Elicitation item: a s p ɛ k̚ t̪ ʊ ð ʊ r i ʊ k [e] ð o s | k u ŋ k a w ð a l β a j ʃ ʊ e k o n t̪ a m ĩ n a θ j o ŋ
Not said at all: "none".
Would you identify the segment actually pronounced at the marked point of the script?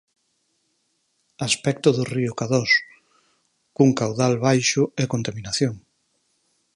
a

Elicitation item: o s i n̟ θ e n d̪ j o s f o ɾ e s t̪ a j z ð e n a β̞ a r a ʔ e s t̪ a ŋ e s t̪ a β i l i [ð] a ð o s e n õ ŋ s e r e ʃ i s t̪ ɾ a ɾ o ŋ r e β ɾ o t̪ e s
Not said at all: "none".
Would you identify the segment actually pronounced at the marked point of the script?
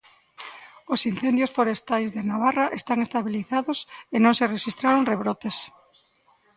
θ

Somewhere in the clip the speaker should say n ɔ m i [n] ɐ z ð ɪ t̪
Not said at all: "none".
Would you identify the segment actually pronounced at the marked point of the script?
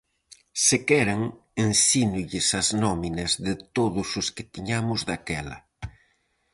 n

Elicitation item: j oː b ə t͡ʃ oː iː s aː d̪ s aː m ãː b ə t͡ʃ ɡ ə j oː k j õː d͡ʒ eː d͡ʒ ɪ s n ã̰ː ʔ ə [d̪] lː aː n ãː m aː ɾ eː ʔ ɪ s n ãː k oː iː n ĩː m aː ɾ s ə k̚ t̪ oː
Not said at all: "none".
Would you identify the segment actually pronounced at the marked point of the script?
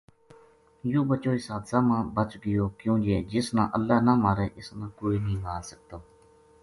none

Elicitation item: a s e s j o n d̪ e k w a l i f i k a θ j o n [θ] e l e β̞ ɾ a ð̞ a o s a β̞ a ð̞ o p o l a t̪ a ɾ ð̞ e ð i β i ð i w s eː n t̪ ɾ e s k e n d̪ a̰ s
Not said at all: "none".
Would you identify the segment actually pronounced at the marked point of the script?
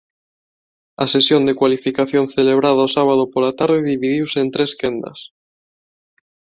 θ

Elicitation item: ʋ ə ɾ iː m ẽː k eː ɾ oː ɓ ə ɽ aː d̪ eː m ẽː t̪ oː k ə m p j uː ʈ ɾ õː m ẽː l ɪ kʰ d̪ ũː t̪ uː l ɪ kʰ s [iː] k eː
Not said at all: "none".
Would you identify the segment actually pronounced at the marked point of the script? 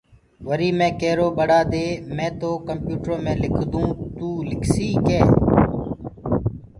iː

